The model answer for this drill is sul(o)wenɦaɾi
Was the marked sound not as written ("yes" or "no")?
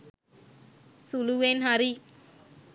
yes